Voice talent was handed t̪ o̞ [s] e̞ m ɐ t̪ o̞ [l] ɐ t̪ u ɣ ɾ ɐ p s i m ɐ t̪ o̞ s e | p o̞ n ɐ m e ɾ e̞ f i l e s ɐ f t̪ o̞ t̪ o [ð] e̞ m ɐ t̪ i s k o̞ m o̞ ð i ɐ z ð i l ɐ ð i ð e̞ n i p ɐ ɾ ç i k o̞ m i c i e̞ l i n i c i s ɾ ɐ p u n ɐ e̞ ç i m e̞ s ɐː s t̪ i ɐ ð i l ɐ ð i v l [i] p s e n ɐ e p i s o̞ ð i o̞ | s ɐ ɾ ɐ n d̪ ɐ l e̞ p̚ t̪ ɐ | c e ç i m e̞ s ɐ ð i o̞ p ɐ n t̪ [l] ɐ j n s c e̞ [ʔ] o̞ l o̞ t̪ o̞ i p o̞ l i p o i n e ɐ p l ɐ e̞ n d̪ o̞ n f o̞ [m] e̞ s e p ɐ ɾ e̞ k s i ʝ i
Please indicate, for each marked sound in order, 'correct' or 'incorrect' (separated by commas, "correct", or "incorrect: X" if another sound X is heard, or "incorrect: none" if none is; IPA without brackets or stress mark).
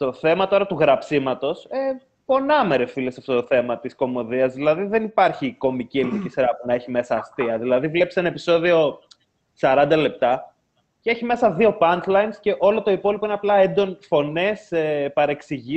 incorrect: θ, incorrect: ɾ, incorrect: θ, incorrect: e, correct, correct, incorrect: n